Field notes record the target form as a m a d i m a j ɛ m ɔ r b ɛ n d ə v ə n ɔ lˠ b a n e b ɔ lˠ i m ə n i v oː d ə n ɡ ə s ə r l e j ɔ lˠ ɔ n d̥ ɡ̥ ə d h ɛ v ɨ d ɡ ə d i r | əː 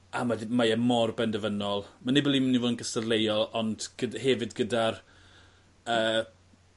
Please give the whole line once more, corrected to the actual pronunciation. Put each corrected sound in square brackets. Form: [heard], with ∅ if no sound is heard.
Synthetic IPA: a m a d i m a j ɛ m ɔ r b ɛ n d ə v ə n ɔ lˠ [m] a n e b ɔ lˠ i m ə n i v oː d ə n ɡ ə s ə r l e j ɔ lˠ ɔ n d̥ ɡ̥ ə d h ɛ v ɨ d ɡ ə d [a] r | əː